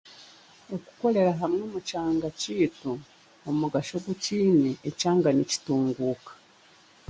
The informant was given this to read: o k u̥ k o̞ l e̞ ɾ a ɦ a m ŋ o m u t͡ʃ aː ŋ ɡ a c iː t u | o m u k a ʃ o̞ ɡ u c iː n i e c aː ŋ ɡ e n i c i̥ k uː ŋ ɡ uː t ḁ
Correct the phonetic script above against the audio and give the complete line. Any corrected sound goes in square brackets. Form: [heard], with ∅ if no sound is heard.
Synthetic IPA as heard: o k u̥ k o̞ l e̞ ɾ a ɦ a m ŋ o m u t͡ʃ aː ŋ ɡ a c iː t u | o m u [ɡ] a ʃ o̞ ɡ u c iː n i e c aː ŋ ɡ [a] n i c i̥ [t] uː ŋ ɡ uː [k] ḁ